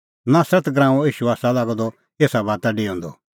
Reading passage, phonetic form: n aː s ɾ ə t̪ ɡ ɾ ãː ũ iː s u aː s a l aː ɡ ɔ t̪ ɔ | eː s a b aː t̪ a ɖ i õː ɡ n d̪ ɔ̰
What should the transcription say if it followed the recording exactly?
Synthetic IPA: n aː s ɾ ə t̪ ɡ ɾ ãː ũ iː ʃ u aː s a l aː ɡ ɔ d̪ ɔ | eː s a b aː t̪ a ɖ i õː n d̪ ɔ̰